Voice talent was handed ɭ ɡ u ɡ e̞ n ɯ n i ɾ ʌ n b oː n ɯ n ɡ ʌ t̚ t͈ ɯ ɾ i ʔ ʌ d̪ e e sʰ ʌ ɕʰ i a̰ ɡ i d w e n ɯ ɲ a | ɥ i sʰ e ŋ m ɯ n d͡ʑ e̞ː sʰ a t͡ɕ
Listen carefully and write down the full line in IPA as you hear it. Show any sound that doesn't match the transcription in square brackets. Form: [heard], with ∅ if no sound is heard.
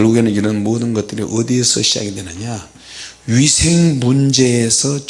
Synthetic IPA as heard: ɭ ɡ u ɡ e̞ n ɯ n i ɾ ʌ n [m] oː [d] ɯ n ɡ ʌ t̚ t͈ ɯ ɾ i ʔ ʌ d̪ [i] e sʰ ʌ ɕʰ i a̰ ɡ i d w e n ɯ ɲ a | ɥ i sʰ e ŋ m [u] n d͡ʑ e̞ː sʰ [ʌ] t͡ɕ

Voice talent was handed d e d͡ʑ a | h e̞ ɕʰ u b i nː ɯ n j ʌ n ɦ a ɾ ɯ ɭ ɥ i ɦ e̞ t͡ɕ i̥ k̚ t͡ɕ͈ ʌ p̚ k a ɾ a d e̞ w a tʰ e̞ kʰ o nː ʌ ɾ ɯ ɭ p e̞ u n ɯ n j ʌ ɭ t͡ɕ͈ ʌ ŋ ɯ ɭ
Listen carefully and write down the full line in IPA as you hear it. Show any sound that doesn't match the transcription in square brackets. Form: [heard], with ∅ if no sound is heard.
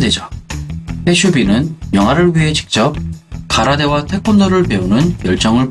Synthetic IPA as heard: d e d͡ʑ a | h e̞ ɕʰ u b i [n] ɯ n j ʌ [ŋ] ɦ a ɾ ɯ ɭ ɥ i ɦ e̞ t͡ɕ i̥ k̚ t͡ɕ͈ ʌ p̚ k a ɾ a d e̞ w a tʰ e̞ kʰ o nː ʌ ɾ ɯ ɭ p e̞ u n ɯ n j ʌ ɭ t͡ɕ͈ ʌ ŋ ɯ ɭ

